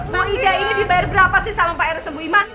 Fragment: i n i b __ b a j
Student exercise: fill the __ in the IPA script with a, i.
i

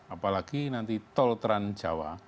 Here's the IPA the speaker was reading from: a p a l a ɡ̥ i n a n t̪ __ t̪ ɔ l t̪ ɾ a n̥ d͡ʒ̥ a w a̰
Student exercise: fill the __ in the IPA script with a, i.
i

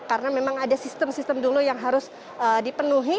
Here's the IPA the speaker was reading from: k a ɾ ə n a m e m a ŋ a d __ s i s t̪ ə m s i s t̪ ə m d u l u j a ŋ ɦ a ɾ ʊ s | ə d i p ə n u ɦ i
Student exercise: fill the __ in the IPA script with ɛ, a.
a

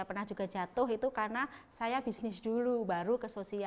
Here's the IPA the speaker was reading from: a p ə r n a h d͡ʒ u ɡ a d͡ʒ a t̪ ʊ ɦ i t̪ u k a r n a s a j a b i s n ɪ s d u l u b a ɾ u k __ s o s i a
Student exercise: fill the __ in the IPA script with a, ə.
ə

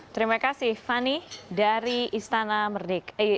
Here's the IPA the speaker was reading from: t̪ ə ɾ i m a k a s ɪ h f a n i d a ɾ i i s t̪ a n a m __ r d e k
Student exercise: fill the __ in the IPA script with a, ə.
ə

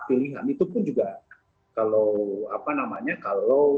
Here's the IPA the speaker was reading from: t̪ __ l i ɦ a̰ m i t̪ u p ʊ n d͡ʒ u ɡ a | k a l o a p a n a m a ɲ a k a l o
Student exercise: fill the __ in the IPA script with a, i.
i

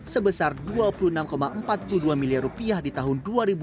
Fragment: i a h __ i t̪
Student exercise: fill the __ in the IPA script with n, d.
d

